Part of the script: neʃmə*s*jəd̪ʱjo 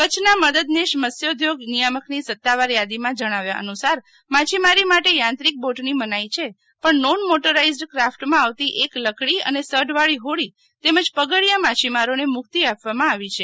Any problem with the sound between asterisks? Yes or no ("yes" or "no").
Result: no